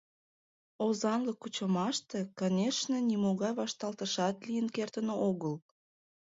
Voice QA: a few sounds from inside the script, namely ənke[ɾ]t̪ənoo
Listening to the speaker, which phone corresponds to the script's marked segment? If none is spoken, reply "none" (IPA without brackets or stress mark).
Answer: r